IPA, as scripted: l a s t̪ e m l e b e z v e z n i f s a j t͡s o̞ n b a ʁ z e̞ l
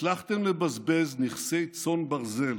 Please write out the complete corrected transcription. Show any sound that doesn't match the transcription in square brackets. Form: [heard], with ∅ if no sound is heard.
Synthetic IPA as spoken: l a [χ] t̪ e m l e b [a] z [b] e z n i [χ] s [e] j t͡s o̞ n b a ʁ z e̞ l